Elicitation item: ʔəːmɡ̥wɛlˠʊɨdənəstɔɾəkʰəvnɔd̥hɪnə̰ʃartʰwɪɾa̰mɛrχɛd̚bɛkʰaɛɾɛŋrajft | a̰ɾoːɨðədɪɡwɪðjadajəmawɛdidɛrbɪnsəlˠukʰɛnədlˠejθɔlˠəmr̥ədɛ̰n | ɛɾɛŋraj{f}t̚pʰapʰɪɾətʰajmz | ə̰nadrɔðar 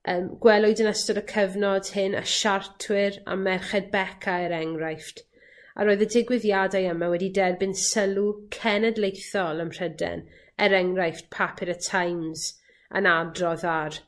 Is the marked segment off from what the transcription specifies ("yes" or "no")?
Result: no